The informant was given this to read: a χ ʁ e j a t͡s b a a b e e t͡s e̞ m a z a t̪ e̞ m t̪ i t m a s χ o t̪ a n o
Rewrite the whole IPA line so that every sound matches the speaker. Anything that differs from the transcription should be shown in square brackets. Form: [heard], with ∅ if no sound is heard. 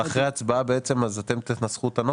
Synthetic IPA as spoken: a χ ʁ e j a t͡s b a a b e e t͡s e̞ m a z a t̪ e̞ m t̪ i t [n] a s χ [u] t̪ a n o